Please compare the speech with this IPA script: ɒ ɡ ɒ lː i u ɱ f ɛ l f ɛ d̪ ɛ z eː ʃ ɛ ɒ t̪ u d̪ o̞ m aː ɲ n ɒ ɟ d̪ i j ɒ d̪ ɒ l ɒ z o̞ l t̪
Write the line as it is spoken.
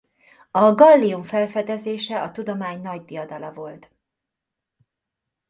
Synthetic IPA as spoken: ɒ ɡ ɒ lː i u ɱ f ɛ l f ɛ d̪ ɛ z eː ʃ ɛ ɒ t̪ u d̪ o̞ m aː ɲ n ɒ ɟ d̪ i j ɒ d̪ ɒ l ɒ v o̞ l t̪

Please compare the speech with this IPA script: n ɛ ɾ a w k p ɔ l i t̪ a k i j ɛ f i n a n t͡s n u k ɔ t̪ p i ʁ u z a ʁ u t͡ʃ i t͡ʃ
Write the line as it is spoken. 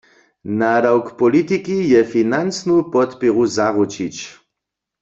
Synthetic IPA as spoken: n a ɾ a w k p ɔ l i t̪ i k i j ɛ f i n a n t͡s n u p ɔ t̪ p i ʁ u z a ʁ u t͡ʃ i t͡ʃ

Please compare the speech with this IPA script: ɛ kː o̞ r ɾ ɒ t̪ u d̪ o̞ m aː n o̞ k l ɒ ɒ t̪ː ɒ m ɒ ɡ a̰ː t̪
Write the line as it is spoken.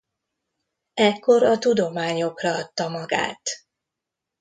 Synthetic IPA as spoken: ɛ kː o̞ ɾ ɒ t̪ u d̪ o̞ m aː ɲ o̞ k r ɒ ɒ t̪ː ɒ m ɒ ɡ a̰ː t̪

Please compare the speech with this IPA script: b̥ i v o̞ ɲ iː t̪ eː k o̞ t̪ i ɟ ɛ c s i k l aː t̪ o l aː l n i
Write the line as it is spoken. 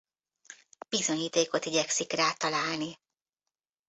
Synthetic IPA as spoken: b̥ i z o̞ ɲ iː t̪ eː k o̞ t̪ i ɟ ɛ k s i k r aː t̪ ɒ l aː l n i

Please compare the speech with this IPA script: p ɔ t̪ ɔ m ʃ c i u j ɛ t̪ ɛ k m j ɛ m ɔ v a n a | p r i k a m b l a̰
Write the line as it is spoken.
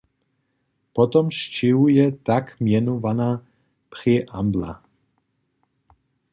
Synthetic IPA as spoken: p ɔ t̪ ɔ m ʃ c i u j ɛ t̪ a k m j ɛ n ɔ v a n a | p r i ʔ a m b l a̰

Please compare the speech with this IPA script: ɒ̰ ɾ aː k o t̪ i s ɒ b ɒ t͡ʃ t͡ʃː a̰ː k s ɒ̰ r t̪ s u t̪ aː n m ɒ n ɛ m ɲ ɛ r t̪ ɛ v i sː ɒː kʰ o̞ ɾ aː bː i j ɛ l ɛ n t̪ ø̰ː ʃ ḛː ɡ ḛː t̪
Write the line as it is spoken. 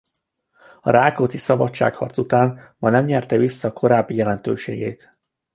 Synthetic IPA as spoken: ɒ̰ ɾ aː k o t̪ i s ɒ b ɒ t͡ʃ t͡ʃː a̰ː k h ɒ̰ r t̪ s u t̪ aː n m ɒ n ɛ m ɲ ɛ r t̪ ɛ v i sː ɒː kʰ o̞ ɾ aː bː i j ɛ l ɛ n t̪ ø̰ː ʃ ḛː ɡ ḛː t̪

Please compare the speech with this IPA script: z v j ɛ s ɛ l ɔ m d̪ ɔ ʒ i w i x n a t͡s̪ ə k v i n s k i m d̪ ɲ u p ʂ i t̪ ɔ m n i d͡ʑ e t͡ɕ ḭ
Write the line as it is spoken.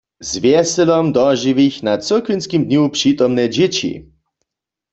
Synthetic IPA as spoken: z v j ɛ s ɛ l ɔ m d̪ ɔ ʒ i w i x n a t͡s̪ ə k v i n s k i m d̪ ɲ u p ʂ i t̪ ɔ m n ɛ d͡ʑ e t͡ɕ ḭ

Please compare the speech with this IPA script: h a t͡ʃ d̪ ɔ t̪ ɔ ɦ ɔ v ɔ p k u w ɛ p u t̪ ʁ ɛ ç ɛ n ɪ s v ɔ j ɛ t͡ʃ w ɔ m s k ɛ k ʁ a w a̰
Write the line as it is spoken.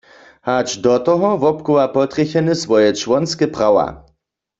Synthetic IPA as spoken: h a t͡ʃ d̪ ɔ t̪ ɔ ɦ ɔ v ɔ p k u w a p ɔ t̪ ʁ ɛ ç ɛ n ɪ s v ɔ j ɛ t͡ʃ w ɔ n s k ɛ p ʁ a w a̰

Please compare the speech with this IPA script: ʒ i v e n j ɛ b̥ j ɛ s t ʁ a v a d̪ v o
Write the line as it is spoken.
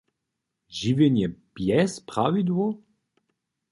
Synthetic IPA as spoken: ʒ i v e n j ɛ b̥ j ɛ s p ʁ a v i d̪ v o

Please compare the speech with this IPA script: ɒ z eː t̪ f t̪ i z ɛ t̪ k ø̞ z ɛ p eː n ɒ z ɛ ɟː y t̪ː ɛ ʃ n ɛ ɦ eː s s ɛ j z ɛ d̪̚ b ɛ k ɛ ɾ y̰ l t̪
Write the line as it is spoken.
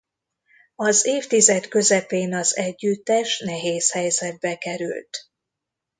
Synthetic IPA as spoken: ɒ z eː f t̪ i z ɛ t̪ k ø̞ z ɛ p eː n ɒ z ɛ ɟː y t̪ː ɛ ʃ n ɛ ɦ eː s h ɛ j z ɛ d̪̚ b ɛ k ɛ ɾ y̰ l t̪

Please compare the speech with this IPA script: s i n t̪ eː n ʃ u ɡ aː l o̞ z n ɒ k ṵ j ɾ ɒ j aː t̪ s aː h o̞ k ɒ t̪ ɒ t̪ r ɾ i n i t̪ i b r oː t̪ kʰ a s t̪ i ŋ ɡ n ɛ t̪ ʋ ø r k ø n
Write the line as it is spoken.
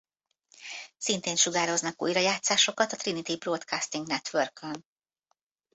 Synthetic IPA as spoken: s i n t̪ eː n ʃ u ɡ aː ɾ o̞ z n ɒ k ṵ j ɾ ɒ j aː t̪ s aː ʃ o̞ k ɒ t̪ ɒ t̪ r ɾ i n i t̪ i b r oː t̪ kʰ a s t̪ i ŋ ɡ n ɛ t̪ ʋ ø r k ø n

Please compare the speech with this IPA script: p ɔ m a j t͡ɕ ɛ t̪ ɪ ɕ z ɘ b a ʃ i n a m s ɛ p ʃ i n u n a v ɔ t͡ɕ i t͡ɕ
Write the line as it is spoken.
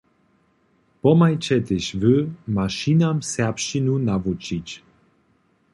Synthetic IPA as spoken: p ɔ m a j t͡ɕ ɛ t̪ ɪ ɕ v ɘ m a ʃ i n a m s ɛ p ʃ i n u n a v u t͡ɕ i t͡ɕ

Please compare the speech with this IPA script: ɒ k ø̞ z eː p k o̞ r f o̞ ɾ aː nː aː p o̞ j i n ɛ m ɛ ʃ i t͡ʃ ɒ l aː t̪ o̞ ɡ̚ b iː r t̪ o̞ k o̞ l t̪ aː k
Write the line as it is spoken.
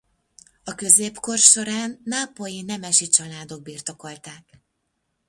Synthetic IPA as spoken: ɒ k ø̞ z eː p k o̞ r ʃ o̞ ɾ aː nː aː p o̞ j i n ɛ m ɛ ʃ i t͡ʃ ɒ l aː d̪ o̞ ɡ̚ b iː r t̪ o̞ k o̞ l t̪ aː k

